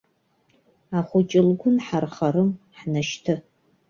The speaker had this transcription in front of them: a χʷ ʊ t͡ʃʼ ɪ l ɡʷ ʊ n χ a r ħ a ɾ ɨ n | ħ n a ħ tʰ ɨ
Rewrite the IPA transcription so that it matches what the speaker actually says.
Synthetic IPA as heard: a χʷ ʊ t͡ʃʼ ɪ l ɡʷ ʊ n ħ a r χ a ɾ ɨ m | ħ n a ʃ tʰ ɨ

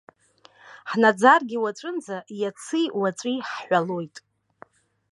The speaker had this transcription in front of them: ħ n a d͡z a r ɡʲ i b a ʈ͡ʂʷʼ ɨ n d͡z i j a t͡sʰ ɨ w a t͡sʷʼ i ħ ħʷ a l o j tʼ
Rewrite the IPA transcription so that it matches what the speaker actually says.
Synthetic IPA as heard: ħ n a d͡z a r ɡʲ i w a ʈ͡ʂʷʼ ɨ n d͡z a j a t͡sʰ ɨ w a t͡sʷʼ i ħ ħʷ a l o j tʼ

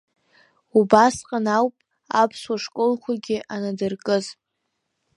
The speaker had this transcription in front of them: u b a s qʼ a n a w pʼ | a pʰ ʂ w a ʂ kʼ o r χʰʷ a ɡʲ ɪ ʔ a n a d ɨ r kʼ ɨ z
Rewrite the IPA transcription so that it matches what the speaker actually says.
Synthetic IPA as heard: u b a s qʼ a n a w pʼ | a pʰ s w a ʂ kʼ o l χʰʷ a ɡʲ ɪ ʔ a n a d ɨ r kʼ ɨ z

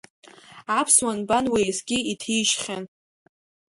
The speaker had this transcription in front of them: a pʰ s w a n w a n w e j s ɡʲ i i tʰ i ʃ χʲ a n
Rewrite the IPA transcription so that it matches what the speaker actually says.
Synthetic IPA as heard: a pʰ s w a n b a n w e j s ɡʲ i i tʰ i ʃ χʲ a n

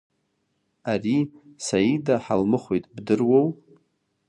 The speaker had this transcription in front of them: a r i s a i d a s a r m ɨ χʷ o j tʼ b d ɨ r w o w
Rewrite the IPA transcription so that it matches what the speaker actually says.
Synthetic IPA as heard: a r i s a i d a ħ a l m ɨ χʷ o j tʼ b d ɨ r w o w

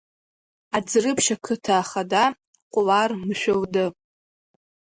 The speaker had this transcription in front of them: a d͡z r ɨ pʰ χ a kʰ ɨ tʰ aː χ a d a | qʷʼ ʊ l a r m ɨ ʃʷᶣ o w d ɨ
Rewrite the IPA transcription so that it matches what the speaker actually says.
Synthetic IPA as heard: a d͡z r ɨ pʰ ʃ a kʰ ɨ tʰ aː χ a d a | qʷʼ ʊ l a r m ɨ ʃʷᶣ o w d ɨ

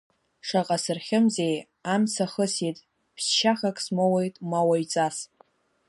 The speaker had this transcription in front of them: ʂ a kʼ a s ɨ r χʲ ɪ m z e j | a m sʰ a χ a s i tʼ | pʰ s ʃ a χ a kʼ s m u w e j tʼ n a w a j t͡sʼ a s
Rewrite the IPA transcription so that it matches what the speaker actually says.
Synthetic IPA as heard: ʂ a qʼ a s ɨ r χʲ ɪ m z e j | a m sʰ a χ ə s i tʼ | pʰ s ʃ a χ a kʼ s m o w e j tʼ m a w a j t͡sʼ a s

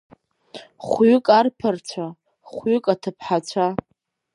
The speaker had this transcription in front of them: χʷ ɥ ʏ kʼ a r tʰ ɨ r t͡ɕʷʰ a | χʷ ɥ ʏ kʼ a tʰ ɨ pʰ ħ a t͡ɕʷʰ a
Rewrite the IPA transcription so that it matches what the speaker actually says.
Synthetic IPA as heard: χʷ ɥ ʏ kʼ a r pʰ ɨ r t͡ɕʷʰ a | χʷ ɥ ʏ kʼ a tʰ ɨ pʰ ħ a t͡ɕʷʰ a

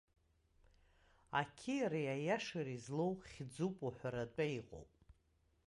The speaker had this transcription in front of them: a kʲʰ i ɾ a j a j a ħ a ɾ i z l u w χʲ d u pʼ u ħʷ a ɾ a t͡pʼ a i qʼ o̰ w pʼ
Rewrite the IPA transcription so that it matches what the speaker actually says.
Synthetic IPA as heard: a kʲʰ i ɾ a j a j a ʂ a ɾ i z l o w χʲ d͡z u pʼ u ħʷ a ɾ a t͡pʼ a i qʼ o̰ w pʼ

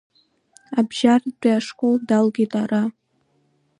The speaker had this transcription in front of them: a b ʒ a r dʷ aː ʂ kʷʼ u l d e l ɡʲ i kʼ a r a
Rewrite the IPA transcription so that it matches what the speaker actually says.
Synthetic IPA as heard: a b ʒ a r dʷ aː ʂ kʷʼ o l d a l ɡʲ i tʼ a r a

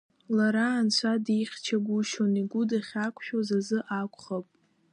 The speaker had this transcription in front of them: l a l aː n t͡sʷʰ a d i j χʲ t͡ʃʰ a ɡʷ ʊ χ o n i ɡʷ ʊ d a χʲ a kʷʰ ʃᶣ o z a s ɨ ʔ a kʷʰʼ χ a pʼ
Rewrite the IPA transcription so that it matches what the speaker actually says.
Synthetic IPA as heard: l a ɾ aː n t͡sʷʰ a d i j χʲ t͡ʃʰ a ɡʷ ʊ ʃ o n i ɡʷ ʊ d a χʲ a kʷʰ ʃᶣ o z a z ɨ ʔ a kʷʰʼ χ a pʼ

